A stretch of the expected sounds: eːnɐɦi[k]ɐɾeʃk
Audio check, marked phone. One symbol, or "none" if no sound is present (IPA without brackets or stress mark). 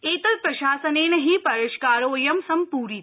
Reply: p